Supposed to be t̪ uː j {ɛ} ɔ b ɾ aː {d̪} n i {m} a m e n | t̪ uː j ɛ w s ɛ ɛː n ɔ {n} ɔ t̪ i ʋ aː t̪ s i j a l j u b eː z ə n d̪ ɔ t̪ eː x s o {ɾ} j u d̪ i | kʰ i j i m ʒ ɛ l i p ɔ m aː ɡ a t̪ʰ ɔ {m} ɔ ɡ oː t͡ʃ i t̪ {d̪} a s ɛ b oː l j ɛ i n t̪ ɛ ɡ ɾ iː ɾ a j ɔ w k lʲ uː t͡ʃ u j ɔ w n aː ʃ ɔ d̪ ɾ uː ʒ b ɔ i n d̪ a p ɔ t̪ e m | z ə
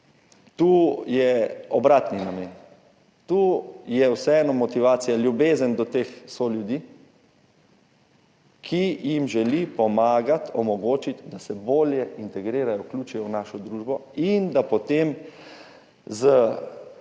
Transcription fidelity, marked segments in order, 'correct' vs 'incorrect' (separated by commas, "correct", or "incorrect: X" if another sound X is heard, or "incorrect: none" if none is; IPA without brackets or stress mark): correct, incorrect: t̪, incorrect: n, incorrect: m, incorrect: l, correct, correct